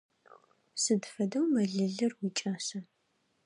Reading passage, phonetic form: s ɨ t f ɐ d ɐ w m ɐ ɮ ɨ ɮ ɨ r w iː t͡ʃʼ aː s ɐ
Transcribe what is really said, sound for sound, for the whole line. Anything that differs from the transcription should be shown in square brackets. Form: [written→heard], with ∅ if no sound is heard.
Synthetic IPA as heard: s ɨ [t→d] f ɐ d ɐ w m ɐ ɮ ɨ ɮ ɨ r w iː t͡ʃʼ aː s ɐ